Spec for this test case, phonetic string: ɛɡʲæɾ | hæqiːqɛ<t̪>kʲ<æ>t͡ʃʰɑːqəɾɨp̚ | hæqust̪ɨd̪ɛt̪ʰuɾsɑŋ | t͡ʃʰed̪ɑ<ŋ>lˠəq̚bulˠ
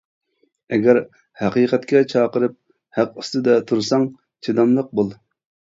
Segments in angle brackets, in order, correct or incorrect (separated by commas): correct, incorrect, incorrect